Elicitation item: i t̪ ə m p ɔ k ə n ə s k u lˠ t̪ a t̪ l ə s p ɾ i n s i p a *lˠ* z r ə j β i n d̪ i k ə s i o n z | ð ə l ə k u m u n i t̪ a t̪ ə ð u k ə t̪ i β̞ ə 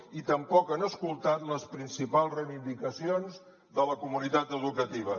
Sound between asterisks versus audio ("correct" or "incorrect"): correct